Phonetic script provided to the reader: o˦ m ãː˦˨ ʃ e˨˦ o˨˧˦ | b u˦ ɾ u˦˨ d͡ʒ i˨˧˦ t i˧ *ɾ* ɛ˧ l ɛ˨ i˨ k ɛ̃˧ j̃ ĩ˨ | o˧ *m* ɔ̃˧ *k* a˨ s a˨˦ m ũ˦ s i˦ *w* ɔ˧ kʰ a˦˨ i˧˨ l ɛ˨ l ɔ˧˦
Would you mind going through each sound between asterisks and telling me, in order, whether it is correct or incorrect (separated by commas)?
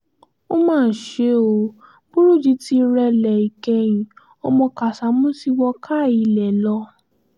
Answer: correct, correct, correct, correct